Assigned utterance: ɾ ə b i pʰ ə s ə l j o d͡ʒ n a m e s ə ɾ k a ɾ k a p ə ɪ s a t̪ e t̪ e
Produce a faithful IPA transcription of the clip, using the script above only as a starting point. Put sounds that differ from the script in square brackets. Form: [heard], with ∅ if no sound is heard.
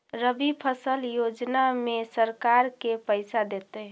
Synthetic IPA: ɾ ə b i pʰ ə s ə l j o d͡ʒ n a m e s ə ɾ k a ɾ k [e] p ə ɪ s a [d̪] e t̪ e